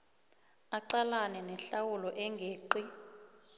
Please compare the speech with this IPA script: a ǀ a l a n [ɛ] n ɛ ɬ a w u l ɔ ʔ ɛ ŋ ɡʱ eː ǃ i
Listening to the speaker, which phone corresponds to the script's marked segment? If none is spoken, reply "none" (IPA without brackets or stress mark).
ɛ